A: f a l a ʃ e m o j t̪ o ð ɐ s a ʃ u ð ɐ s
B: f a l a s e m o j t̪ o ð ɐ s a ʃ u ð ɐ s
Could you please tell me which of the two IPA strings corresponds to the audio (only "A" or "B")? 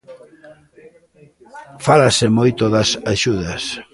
B